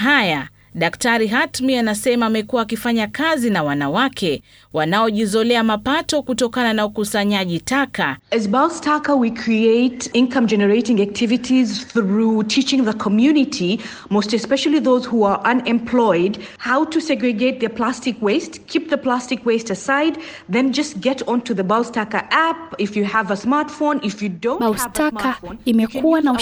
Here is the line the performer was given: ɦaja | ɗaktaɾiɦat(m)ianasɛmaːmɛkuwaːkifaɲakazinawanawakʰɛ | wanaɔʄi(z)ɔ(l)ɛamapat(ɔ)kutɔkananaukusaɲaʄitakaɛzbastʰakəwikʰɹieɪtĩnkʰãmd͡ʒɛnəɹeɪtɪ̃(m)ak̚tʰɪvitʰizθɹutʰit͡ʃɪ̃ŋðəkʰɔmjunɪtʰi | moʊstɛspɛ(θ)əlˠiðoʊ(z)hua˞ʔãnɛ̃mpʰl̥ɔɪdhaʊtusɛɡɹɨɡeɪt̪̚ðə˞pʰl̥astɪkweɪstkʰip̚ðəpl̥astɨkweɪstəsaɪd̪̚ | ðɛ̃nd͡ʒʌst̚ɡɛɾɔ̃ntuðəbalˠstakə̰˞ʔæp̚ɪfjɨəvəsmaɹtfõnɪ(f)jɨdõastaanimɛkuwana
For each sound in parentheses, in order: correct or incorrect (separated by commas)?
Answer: correct, correct, correct, correct, incorrect, incorrect, correct, correct